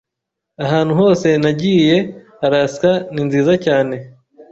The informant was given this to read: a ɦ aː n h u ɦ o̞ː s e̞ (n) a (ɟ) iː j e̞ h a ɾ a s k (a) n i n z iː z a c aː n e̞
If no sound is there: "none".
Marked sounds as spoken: n, ɟ, a

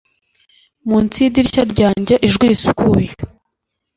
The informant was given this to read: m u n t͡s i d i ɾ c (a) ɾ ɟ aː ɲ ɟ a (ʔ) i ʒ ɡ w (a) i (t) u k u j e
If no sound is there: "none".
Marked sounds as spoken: a, ʔ, i, s

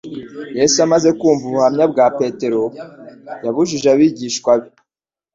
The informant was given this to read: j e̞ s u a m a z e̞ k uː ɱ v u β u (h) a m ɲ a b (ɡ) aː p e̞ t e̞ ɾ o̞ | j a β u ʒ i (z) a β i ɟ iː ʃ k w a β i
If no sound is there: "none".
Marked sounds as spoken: h, ɡ, ʒ

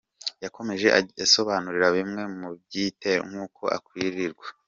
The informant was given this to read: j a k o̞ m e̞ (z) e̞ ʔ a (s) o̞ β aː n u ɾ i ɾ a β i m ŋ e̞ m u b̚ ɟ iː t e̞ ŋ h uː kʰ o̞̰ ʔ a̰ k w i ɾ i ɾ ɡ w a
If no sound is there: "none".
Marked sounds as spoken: ʒ, s

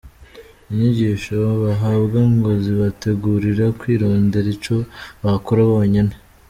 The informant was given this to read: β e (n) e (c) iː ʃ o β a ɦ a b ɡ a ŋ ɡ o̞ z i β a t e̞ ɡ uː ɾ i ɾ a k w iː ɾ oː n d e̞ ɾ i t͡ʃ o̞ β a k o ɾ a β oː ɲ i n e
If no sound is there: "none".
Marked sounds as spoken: ɲ, ɟ

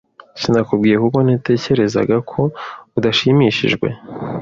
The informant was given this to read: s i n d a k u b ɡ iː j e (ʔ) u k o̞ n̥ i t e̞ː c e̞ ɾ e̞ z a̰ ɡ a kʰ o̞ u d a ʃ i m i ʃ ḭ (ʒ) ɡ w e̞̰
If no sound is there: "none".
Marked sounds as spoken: k, ʒ

